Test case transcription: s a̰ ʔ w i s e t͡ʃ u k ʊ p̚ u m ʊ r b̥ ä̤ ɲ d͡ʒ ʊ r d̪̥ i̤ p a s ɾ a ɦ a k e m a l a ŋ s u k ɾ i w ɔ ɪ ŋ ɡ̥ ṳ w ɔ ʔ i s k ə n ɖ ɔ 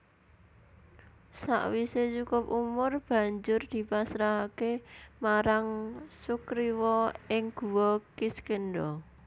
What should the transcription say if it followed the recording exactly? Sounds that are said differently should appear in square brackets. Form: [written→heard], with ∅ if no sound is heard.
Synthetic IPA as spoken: s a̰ ʔ w i s e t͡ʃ u k ʊ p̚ u m ʊ r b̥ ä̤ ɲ d͡ʒ ʊ r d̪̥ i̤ p a s ɾ a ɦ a k e m a [l→ɾ] a ŋ s u k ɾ i w ɔ ɪ ŋ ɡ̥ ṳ w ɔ [ʔ→k] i s k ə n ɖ ɔ